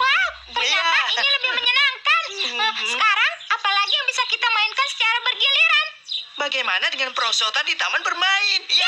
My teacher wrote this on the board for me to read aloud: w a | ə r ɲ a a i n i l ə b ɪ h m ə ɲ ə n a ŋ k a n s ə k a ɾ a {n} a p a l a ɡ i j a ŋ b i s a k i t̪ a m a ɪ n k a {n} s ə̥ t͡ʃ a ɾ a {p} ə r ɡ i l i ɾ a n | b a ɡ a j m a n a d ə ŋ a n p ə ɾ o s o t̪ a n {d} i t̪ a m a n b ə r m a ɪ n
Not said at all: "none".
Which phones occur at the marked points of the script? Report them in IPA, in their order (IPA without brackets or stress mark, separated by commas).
ŋ, n, b, d